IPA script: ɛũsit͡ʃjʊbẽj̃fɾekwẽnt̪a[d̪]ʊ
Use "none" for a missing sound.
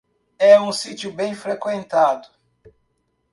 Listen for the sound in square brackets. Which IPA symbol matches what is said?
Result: d̪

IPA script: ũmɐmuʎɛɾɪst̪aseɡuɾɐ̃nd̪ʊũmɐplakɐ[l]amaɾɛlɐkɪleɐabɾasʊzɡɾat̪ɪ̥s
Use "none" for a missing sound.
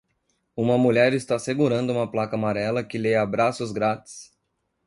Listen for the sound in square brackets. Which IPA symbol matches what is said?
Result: none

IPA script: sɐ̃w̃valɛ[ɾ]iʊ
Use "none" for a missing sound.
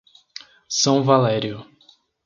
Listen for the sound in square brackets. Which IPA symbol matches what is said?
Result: ɾ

